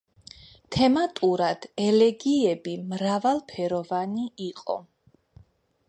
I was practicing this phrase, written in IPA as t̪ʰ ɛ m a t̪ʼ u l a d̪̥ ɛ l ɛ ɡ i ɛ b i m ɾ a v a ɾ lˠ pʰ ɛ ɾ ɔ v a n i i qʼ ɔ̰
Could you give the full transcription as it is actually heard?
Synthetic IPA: t̪ʰ ɛ m a t̪ʼ u ɾ a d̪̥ ɛ l ɛ ɡ i ɛ b i m ɾ a v a lˠ pʰ ɛ ɾ ɔ v a n i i qʼ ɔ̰